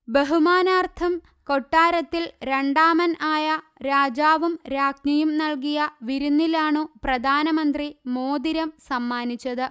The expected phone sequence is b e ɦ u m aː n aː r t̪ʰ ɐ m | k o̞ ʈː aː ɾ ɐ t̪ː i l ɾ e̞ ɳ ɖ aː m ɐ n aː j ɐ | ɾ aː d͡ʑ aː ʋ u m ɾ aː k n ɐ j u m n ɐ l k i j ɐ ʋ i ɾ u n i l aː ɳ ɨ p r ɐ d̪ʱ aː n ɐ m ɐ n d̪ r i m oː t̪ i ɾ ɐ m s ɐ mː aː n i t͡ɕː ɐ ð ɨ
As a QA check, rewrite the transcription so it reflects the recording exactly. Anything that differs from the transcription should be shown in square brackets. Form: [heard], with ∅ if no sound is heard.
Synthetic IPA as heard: b e ɦ u m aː n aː r t̪ʰ ɐ m | k o̞ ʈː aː ɾ ɐ t̪ː i l ɾ e̞ ɳ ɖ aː m ɐ n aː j ɐ | ɾ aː d͡ʑ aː ʋ u m ɾ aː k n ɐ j u m n ɐ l k i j ɐ ʋ i ɾ u [nː] i l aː ɳ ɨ p r ɐ d̪ʱ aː n ɐ m ɐ n d̪ r i m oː [d̪] i ɾ ɐ m s ɐ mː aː n i t͡ɕː ɐ ð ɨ